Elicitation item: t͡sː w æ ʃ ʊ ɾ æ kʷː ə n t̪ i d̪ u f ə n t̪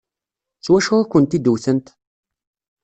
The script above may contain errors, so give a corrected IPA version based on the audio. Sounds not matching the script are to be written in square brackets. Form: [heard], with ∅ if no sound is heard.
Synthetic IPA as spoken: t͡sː w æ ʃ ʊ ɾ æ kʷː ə n t̪ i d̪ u [θ] ə n t̪